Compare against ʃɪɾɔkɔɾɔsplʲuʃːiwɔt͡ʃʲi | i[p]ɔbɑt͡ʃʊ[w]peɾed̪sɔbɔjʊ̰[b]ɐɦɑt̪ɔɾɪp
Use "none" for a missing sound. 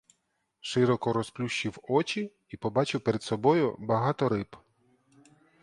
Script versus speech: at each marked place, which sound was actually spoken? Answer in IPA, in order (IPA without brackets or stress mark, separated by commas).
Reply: p, w, b